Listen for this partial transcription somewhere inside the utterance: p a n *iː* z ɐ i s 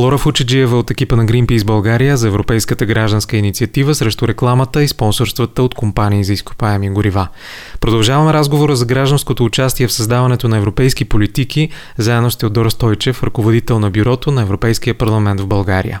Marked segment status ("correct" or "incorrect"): correct